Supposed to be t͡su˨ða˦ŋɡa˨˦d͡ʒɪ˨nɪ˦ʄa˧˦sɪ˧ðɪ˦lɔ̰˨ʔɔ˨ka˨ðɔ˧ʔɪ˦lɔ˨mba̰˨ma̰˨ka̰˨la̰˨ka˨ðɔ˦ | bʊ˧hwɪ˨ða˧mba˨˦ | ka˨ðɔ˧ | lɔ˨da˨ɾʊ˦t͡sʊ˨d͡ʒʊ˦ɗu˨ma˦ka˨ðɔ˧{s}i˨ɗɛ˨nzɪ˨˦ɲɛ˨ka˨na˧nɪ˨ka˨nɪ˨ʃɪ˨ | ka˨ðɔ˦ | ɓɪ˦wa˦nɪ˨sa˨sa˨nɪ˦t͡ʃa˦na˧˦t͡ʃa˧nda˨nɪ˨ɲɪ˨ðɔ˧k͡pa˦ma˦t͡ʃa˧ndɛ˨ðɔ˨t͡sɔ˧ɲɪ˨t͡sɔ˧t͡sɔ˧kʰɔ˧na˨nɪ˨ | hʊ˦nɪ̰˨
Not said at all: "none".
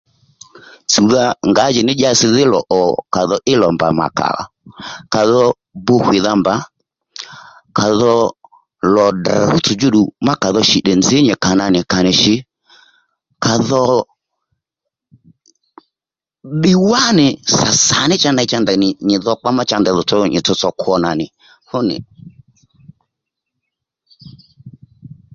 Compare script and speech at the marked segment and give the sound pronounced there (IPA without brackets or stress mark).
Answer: ʃ